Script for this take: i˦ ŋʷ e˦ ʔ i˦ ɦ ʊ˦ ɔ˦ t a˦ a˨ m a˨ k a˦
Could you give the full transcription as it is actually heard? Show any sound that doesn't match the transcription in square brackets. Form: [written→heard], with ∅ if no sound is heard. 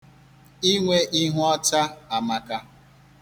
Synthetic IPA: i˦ ŋʷ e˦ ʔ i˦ ɦ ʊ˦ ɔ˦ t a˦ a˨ m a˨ k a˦